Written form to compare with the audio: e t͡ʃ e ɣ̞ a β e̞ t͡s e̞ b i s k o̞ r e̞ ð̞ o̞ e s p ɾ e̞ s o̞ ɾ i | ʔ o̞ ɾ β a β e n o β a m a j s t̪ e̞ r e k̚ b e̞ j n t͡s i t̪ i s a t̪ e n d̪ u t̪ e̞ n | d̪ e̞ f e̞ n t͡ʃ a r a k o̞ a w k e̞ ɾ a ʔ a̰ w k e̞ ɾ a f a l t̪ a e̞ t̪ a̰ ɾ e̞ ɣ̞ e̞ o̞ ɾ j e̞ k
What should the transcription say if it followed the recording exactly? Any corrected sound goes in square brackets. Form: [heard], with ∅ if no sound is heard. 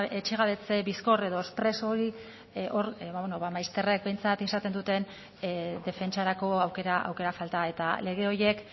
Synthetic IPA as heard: e t͡ʃ e ɣ̞ a β e̞ t͡s e̞ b i s k o̞ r e̞ ð̞ o̞ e s p ɾ e̞ s o̞ ɾ i | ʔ o̞ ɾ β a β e n o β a m a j s t̪ e̞ r e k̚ b e̞ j n t͡s [a] t̪ i s a t̪ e n d̪ u t̪ e̞ n | d̪ e̞ f e̞ n t͡ʃ a [ɾ] a k o̞ a w k e̞ ɾ a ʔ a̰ w k e̞ ɾ a f a l t̪ a e̞ t̪ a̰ [l] e̞ ɣ̞ e̞ o̞ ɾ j e̞ k